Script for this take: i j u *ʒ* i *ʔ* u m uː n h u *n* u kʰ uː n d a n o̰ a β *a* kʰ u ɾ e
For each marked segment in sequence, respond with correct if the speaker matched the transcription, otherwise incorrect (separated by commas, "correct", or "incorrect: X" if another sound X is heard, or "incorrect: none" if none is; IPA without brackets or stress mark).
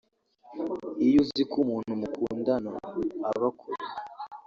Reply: incorrect: z, incorrect: k, incorrect: m, correct